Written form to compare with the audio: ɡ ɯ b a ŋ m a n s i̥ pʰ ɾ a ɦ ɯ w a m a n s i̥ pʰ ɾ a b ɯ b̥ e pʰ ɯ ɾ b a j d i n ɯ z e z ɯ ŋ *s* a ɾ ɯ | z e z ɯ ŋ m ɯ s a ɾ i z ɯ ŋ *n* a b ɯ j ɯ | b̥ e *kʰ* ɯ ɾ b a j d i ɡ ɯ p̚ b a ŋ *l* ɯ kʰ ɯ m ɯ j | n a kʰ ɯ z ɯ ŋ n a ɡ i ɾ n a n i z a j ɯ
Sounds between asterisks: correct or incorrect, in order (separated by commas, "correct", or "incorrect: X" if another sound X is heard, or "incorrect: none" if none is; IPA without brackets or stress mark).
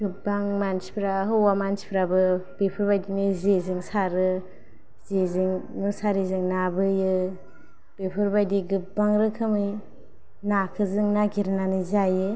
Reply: correct, correct, incorrect: pʰ, incorrect: ɾ